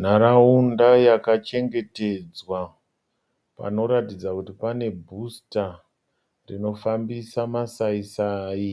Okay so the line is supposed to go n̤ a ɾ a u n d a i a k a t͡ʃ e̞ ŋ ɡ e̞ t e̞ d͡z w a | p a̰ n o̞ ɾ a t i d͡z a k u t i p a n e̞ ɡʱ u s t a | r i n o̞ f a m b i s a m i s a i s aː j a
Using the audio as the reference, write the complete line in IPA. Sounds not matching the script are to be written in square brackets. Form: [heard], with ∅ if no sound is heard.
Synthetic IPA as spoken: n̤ a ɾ a u n d a [j] a k a t͡ʃ e̞ ŋ ɡ e̞ t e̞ d͡z w a | p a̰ n o̞ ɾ a t i d͡z a k u t i p a n e̞ [bʱ] u s t a | r i n o̞ f a m b i s a m [a] s a i s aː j [i]